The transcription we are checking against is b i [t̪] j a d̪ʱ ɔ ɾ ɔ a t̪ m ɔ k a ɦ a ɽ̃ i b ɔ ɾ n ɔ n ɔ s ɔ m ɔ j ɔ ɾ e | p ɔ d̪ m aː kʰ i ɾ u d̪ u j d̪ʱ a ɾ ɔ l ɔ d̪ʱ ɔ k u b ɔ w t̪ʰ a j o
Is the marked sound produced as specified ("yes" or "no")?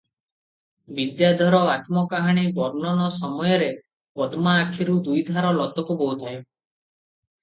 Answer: no